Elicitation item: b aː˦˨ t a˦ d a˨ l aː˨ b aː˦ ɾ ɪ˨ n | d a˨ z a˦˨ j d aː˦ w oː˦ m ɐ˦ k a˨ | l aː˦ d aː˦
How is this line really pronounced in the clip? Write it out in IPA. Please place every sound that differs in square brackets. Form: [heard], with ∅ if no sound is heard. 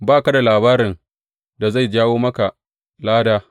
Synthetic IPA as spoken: b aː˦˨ [k] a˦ d a˨ l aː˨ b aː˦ ɾ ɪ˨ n | d a˨ z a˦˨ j [d͡ʒ] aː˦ w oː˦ m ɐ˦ k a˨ | l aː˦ d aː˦